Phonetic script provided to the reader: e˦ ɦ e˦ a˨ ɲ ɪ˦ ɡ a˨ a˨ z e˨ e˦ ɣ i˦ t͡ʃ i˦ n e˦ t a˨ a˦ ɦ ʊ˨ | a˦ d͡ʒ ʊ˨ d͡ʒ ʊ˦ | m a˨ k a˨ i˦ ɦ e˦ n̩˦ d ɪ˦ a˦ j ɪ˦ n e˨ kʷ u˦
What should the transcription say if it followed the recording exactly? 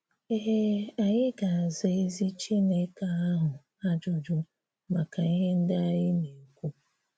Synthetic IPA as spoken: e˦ ɦ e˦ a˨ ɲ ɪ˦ ɡ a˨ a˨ z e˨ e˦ z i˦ t͡ʃ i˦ n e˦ k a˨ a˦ ɦ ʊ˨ | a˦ d͡ʒ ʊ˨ d͡ʒ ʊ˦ | m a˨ k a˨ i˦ ɦ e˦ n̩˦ d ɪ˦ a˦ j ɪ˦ n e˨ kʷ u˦

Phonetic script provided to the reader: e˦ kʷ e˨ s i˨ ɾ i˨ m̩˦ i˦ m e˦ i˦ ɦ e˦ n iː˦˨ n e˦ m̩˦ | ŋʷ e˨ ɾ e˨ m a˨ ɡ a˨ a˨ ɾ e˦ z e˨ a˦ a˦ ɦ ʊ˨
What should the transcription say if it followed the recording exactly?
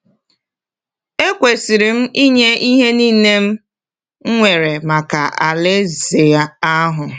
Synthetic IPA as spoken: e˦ kʷ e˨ s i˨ ɾ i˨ m̩˦ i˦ ɲ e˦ i˦ ɦ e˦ n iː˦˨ n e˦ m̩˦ | ŋʷ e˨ ɾ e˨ m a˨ k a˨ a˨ l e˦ z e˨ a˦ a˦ ɦ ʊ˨

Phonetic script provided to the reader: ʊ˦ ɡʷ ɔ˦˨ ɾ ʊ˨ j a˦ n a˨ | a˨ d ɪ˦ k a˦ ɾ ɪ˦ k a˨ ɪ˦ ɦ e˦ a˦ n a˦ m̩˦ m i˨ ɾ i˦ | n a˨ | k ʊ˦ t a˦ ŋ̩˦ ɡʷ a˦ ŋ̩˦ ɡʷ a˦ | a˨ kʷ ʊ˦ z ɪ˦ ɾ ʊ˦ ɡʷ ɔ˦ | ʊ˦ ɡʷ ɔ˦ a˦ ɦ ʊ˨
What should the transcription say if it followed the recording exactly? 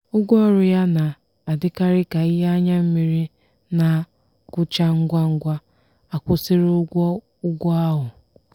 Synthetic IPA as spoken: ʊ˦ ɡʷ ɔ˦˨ ɾ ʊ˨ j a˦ n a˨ | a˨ d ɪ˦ k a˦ ɾ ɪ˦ k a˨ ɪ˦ ɦ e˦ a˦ ɲ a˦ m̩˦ m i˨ ɾ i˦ | n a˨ | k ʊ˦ t͡ʃ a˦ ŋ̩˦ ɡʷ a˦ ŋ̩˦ ɡʷ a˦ | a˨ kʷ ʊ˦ s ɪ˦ ɾ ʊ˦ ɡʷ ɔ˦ | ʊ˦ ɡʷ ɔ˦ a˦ ɦ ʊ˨

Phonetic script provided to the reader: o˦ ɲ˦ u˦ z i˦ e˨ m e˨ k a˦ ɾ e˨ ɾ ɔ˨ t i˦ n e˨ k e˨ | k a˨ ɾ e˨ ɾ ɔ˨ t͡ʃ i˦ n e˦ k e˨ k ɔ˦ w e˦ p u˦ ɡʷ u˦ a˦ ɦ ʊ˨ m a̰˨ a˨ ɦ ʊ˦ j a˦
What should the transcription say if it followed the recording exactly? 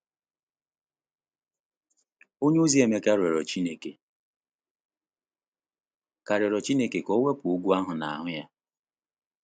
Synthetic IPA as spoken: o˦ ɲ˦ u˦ z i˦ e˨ m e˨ k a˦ ɾ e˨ ɾ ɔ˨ t͡ʃ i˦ n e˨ k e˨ | k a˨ ɾ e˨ ɾ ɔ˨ t͡ʃ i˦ n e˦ k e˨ k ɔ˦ w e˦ p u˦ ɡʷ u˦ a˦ ɦ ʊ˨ n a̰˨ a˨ ɦ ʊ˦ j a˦

